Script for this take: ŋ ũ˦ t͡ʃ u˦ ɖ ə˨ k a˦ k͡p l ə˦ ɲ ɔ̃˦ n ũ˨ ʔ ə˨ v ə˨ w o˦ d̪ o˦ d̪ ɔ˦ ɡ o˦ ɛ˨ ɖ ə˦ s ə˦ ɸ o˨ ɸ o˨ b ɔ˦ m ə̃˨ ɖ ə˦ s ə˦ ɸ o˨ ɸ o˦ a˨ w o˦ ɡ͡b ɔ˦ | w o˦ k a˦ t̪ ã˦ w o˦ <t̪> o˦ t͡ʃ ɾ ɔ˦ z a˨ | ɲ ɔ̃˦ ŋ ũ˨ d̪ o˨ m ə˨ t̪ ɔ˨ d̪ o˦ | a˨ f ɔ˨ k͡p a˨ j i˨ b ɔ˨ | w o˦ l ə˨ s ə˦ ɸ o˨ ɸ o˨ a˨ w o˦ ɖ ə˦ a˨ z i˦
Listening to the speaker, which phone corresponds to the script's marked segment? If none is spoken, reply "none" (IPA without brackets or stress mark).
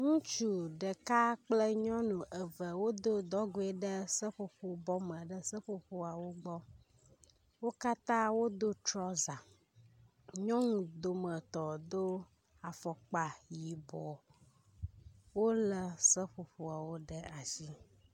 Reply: d̪